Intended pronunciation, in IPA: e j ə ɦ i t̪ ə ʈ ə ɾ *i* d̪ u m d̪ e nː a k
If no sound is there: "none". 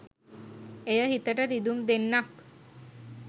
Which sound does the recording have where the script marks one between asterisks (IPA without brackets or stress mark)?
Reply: i